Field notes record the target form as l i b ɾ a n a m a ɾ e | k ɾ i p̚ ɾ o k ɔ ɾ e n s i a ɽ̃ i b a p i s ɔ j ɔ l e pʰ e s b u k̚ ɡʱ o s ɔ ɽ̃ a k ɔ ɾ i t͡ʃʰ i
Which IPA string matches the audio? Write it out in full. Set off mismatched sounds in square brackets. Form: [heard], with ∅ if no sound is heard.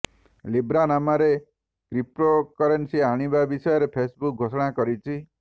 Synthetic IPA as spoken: l i b ɾ a n a m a ɾ e | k ɾ i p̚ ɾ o k ɔ ɾ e n s i a ɽ̃ i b a [b] i s ɔ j ɔ [ɾ] e pʰ e s b u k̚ ɡʱ o s ɔ ɽ̃ a k ɔ ɾ i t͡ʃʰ i